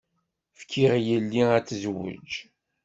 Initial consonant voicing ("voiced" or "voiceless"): voiceless